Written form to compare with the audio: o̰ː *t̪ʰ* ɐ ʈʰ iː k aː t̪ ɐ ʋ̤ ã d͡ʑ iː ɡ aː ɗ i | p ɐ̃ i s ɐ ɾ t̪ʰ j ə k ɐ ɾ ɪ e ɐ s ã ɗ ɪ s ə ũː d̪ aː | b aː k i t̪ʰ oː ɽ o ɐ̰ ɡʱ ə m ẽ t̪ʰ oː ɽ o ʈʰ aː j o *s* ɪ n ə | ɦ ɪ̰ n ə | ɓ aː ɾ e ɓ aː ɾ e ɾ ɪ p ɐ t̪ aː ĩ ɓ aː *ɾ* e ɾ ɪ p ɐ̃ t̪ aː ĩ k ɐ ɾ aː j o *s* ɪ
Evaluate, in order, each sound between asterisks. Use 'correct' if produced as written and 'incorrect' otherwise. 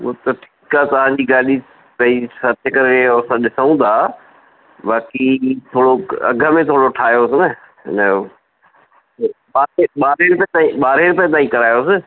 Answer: incorrect, correct, correct, correct

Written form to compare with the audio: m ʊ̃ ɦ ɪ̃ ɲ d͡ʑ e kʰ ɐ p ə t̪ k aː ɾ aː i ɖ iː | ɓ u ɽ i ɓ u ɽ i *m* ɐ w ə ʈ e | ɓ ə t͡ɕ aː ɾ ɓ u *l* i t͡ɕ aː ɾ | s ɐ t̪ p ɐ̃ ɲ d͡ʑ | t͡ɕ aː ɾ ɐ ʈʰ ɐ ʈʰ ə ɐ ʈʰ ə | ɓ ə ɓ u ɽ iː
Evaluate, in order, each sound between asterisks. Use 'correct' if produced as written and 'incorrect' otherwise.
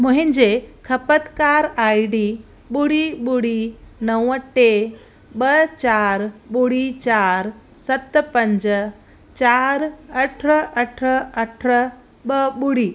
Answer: incorrect, incorrect

